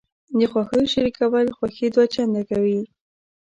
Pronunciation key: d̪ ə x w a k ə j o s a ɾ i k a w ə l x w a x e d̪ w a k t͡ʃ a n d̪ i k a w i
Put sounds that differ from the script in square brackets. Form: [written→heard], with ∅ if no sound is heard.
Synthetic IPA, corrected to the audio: d̪ ə x w a [k→x] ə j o [s→ʃ] a ɾ i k a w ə l x w a x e d̪ w a [k→∅] t͡ʃ a n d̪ [i→a] k a w i